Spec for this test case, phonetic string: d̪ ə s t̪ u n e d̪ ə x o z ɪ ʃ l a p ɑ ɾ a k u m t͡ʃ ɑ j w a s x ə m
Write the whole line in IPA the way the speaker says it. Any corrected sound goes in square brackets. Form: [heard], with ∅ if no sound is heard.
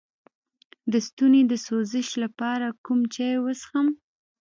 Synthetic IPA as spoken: d̪ ə s t̪ u n e d̪ ə [s] o z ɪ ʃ l a p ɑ ɾ a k u m t͡ʃ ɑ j w [ə] s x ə m

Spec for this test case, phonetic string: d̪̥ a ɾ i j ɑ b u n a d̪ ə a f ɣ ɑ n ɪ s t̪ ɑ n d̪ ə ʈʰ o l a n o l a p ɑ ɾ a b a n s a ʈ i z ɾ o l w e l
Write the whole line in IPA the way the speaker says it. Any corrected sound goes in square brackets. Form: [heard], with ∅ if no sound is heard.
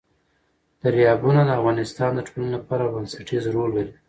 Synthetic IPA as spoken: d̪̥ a ɾ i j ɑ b u n a d̪ ə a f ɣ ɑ n ɪ s t̪ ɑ n d̪ ə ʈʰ o l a n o l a p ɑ ɾ a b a n s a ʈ i z ɾ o l w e l

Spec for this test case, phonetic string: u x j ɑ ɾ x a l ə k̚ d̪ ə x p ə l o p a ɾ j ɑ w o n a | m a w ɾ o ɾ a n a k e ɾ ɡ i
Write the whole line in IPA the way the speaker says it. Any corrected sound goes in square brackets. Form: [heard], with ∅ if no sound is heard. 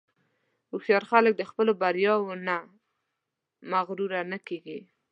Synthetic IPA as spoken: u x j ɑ ɾ x a l ə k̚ d̪ ə x p ə l o [b] a ɾ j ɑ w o n a | m a [ɣ] ɾ [u] ɾ a n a k e [∅] ɡ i

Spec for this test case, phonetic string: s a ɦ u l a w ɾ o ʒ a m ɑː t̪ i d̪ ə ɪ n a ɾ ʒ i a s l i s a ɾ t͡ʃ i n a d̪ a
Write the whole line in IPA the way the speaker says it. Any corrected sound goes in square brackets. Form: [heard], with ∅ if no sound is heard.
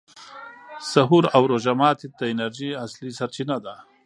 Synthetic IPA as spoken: s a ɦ u [ɾ] a w ɾ o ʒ a m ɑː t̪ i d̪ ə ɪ n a ɾ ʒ i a s l i s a ɾ t͡ʃ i n a d̪ a

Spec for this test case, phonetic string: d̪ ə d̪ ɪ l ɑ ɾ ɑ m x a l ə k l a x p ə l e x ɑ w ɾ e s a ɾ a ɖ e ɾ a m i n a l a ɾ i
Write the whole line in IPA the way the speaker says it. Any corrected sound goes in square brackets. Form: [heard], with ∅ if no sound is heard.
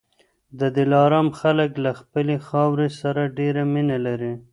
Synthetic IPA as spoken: d̪ ə d̪ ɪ l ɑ ɾ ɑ m x a l ə k l a x p ə l e x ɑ w ɾ e s a ɾ a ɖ e ɾ a m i n a l a ɾ i

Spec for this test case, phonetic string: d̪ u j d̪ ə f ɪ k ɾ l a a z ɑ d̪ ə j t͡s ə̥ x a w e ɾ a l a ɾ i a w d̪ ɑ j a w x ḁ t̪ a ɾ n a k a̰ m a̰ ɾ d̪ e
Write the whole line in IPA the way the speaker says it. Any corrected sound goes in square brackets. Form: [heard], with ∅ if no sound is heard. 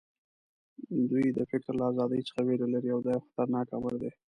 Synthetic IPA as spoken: d̪ u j d̪ ə f ɪ k ɾ l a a z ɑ d̪ ə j t͡s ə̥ x a w e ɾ a l a ɾ i a w d̪ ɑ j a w x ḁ t̪ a ɾ n [ɑ] k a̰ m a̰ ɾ d̪ e

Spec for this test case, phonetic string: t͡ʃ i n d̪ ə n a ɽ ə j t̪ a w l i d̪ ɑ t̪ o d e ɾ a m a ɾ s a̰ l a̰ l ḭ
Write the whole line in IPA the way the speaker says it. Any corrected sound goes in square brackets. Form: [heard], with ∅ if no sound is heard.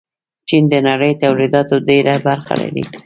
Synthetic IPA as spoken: t͡ʃ i n d̪ ə n a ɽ ə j t̪ a w l i d̪ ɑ t̪ o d e ɾ a [b] a ɾ [x] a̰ l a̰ [ɾ] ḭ

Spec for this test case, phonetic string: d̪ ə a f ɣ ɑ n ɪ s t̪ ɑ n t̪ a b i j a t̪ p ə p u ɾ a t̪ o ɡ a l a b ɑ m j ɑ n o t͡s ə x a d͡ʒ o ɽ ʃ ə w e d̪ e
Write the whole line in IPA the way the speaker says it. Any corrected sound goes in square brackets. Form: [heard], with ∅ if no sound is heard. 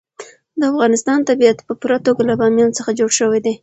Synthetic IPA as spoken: d̪ ə a f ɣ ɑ n ɪ s t̪ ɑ n t̪ a b i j a t̪ p ə p u ɾ a t̪ o ɡ a l a b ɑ m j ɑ n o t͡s ə x a d͡ʒ o ɽ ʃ ə w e d̪ e

